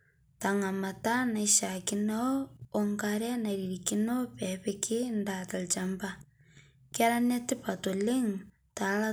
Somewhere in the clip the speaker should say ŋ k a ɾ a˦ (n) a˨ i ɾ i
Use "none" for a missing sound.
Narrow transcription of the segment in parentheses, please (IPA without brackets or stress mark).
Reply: n